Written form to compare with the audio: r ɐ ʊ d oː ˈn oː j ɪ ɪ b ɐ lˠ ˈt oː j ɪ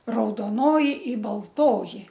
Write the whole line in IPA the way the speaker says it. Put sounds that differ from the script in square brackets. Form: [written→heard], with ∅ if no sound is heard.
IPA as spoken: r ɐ ʊ d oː ˈn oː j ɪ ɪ b ɐ lˠ ˈt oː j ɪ